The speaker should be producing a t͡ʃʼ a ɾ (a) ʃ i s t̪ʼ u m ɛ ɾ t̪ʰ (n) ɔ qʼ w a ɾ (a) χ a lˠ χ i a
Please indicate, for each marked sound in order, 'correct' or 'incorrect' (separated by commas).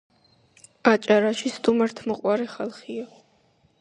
correct, incorrect, incorrect